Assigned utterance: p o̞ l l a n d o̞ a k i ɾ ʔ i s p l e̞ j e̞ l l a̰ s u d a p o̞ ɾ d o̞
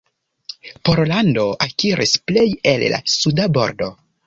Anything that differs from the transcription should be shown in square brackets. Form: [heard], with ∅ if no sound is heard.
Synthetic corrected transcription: p o̞ [ɾ] l a n d o̞ a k i ɾ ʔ i s p l e̞ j e̞ l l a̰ s u d a [b] o̞ ɾ d o̞